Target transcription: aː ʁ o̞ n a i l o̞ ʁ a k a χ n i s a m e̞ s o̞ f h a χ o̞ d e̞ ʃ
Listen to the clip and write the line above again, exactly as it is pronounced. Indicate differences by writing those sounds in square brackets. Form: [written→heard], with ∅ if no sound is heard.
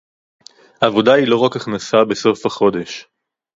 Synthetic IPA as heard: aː [ʁ→v] o̞ [n→d] a i l o̞ ʁ a k a χ n [i→a] s a [m→b] e̞ s o̞ f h a χ o̞ d e̞ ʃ